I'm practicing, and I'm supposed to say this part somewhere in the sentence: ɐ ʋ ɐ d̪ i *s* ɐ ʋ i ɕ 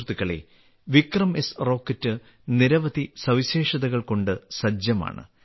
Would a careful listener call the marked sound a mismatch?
no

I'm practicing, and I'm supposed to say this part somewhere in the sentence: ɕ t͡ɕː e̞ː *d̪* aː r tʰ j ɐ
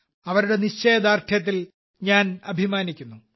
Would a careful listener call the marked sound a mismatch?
no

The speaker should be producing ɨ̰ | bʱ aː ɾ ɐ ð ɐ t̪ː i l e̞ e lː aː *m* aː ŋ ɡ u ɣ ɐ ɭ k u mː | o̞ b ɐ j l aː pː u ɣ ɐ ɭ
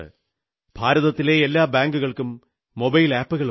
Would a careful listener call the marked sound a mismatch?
yes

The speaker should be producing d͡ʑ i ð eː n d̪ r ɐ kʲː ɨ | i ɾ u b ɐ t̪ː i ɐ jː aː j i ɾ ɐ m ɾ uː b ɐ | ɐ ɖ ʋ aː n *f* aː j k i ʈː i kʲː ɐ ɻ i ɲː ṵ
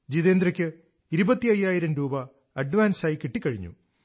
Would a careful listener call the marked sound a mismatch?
yes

